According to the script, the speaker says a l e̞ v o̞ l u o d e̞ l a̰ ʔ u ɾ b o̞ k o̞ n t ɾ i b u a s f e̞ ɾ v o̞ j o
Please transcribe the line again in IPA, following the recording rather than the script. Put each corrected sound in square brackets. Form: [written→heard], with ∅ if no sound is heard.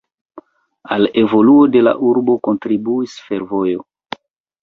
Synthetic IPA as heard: a l e̞ v o̞ l u o d e̞ l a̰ ʔ u ɾ b o̞ k o̞ n t ɾ i b u [a→i] s f e̞ ɾ v o̞ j o